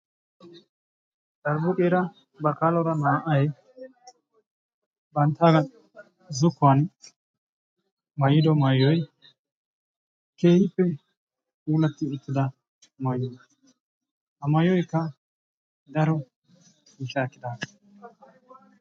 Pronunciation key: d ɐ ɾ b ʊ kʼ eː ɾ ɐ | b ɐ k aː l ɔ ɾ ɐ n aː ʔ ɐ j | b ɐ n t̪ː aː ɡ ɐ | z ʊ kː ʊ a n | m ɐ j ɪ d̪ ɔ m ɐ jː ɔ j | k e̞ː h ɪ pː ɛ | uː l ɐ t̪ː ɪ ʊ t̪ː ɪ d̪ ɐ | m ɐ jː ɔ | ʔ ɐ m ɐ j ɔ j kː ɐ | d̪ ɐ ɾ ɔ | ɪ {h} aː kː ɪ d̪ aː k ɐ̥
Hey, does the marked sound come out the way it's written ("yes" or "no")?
no